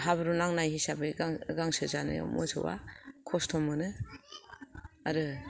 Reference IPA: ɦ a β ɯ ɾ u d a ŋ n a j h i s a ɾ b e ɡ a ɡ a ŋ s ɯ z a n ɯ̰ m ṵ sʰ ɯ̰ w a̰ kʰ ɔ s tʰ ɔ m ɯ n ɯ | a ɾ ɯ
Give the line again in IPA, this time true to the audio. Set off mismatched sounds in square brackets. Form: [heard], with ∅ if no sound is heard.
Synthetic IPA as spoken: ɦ a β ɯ ɾ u [n] a ŋ n a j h i s a [∅] b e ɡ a ɡ a ŋ s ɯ z a n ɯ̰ m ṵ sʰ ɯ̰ w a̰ kʰ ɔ s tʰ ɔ m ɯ n ɯ | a ɾ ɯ